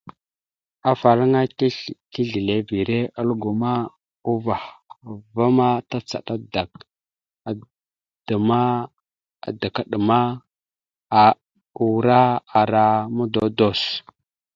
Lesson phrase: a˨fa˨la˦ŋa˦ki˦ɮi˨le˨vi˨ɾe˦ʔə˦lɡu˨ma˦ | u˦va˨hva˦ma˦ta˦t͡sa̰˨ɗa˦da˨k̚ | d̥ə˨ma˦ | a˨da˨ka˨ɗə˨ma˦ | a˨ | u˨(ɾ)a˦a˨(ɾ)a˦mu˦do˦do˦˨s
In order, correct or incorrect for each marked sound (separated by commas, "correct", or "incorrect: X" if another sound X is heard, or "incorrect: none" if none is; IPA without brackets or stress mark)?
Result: correct, correct